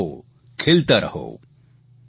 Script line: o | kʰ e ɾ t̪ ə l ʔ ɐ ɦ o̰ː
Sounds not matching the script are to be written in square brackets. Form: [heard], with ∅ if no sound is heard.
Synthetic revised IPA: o | kʰ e [l] t̪ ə [ɾ] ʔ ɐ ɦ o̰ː